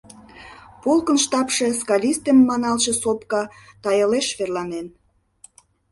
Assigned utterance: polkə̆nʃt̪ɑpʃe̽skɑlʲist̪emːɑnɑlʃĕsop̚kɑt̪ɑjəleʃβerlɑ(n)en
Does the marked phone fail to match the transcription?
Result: no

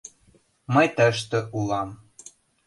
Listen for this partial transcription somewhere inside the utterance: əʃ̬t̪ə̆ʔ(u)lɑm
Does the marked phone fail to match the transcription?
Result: no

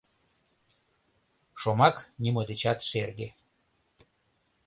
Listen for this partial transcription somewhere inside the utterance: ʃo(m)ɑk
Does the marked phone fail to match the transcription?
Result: no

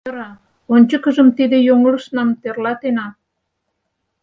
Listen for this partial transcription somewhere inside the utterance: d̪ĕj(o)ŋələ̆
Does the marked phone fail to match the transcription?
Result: no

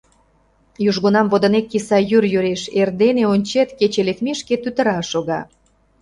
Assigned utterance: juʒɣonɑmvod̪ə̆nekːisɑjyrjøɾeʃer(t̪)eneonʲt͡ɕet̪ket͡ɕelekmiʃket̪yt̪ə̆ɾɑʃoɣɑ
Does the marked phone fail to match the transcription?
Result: yes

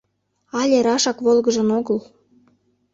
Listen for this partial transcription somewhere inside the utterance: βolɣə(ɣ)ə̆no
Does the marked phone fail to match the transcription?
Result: yes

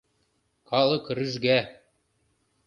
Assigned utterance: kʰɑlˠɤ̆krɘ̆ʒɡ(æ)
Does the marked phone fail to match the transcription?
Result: no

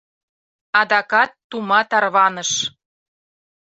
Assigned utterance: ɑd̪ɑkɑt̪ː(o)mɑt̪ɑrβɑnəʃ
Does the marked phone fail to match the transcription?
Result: yes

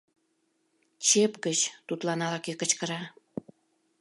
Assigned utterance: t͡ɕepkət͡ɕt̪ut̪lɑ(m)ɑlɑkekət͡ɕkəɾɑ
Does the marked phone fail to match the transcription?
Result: yes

